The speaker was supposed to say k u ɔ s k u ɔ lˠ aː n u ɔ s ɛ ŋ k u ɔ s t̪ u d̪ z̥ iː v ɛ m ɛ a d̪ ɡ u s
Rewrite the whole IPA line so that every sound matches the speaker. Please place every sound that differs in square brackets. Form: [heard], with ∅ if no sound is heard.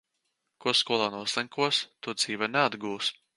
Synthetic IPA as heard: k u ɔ s k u ɔ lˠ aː n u ɔ s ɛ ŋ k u ɔ s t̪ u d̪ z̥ iː v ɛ [n] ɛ a d̪ ɡ [uː] s